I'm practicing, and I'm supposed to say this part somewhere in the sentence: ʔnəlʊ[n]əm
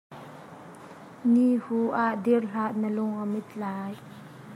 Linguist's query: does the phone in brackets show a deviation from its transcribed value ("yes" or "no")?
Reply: yes